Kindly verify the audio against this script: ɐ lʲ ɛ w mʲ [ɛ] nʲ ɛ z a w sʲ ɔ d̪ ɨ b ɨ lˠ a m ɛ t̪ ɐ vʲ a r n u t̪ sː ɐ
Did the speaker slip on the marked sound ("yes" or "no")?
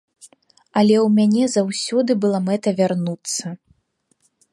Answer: yes